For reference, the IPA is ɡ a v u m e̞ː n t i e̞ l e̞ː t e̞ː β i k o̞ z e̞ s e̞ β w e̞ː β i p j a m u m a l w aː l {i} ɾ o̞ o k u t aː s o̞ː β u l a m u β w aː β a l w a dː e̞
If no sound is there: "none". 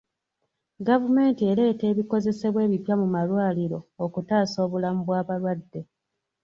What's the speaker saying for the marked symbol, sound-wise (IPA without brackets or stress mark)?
i